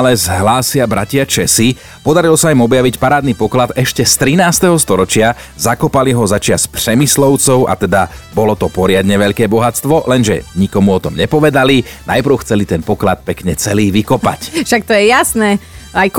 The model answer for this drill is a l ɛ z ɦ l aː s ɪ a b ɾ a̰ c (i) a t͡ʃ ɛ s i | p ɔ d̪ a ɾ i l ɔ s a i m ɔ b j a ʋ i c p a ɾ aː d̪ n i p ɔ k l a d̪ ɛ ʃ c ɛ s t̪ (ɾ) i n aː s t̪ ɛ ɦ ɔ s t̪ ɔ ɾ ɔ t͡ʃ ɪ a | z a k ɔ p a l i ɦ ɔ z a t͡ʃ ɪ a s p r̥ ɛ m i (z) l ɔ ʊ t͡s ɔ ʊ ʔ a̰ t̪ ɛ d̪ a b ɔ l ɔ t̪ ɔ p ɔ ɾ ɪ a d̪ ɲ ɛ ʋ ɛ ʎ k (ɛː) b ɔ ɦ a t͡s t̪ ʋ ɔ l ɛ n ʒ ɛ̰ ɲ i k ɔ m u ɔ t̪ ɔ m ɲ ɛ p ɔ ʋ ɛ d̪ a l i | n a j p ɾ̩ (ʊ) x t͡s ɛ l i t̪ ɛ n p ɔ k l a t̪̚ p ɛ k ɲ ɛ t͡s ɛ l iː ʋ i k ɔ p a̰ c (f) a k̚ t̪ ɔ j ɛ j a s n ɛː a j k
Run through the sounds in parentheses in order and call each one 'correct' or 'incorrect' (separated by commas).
incorrect, correct, incorrect, correct, correct, incorrect